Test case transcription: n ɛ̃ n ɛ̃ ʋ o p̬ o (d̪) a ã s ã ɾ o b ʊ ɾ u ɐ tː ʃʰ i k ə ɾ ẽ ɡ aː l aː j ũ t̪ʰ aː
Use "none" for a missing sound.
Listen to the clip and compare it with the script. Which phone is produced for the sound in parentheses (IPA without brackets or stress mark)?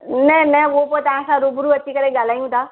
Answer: t̪